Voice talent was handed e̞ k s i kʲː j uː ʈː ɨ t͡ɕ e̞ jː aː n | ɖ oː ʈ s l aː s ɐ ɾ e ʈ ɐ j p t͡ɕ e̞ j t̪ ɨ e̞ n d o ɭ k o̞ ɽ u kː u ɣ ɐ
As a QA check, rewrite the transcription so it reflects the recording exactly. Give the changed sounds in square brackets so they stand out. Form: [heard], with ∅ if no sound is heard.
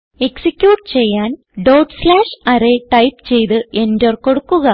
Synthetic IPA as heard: e̞ k s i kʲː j uː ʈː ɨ t͡ɕ e̞ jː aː n | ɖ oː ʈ s l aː [ʂ] ɐ ɾ e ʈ ɐ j p t͡ɕ e̞ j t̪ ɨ e̞ n d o [r] k o̞ ɽ u kː u ɣ ɐ